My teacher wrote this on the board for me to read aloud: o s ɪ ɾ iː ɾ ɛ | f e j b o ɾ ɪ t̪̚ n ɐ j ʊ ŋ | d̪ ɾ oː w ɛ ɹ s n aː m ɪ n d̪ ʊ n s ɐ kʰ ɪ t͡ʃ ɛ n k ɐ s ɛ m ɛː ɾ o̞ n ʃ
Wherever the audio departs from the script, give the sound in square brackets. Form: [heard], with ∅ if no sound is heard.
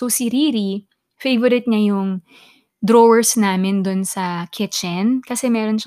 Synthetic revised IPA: o s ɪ ɾ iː ɾ [i] | f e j [v] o ɾ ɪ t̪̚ [ɲ] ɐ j ʊ ŋ | d̪ ɾ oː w ɛ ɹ s n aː m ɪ n d̪ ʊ n s ɐ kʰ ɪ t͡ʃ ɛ n k ɐ s ɛ m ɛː ɾ o̞ n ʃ